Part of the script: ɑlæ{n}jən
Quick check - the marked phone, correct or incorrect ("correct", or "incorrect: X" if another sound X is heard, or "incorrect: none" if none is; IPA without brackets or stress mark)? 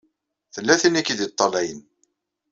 incorrect: none